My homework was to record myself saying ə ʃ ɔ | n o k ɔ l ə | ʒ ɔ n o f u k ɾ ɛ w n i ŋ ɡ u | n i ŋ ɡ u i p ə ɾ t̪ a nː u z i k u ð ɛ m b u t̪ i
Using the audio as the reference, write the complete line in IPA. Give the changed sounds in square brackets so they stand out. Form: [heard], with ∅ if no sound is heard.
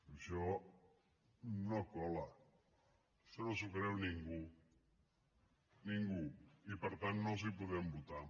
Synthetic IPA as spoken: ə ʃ ɔ | n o k ɔ l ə | [ʃ] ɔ n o [s] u k ɾ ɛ w n i ŋ ɡ u | n i ŋ ɡ u i p ə ɾ t̪ a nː [o] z i [p] u ð ɛ m b u t̪ [a]